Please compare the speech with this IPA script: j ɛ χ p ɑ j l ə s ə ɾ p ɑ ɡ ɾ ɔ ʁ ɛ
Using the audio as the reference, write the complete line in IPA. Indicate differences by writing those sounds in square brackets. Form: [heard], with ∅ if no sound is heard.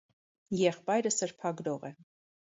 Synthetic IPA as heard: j ɛ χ p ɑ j [ɾ] ə s ə ɾ [pʰ] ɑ ɡ ɾ ɔ ʁ ɛ